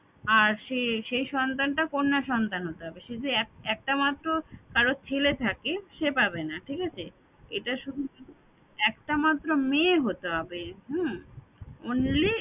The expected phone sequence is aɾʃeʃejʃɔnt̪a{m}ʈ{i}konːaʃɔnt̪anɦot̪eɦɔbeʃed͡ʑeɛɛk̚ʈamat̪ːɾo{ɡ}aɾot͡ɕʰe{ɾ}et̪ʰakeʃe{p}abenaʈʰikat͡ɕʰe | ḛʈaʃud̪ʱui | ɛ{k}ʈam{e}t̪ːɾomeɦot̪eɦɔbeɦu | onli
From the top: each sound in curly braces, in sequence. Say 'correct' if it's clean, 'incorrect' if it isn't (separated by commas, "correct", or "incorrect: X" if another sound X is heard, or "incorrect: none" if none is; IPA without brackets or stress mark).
incorrect: n, incorrect: a, incorrect: k, incorrect: l, correct, correct, incorrect: a